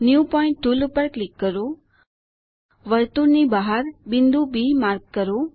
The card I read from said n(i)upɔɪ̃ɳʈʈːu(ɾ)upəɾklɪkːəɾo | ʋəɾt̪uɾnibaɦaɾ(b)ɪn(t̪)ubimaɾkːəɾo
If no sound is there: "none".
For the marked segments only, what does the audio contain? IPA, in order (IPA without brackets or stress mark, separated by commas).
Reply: j, l, b, d̪